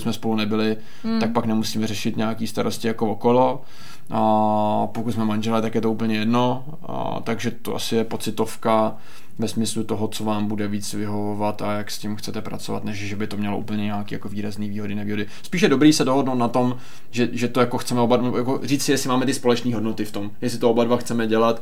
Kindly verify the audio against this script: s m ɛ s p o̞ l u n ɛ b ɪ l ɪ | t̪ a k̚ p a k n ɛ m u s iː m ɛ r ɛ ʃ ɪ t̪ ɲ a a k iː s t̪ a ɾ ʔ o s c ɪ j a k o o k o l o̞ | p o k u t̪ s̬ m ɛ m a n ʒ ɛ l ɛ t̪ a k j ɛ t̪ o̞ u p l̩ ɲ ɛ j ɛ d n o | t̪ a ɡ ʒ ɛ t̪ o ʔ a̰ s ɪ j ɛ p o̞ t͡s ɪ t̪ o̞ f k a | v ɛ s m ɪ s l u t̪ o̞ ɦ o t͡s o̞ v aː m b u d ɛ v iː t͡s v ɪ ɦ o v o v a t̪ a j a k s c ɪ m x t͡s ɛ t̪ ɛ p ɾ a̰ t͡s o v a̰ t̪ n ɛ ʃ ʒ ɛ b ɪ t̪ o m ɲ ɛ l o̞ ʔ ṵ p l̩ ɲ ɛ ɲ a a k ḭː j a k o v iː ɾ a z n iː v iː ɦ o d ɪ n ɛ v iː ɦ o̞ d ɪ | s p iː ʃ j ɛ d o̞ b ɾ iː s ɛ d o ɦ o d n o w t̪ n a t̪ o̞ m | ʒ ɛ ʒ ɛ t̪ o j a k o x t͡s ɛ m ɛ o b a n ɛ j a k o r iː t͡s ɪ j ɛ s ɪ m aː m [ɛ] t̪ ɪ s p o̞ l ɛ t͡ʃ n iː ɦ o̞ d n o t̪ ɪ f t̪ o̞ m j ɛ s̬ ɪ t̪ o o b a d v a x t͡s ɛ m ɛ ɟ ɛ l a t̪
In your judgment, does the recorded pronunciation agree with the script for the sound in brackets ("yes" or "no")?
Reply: yes